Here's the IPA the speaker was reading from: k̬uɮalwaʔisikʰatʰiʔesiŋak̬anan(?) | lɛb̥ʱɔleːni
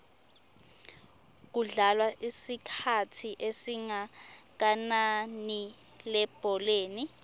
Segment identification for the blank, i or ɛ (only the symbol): i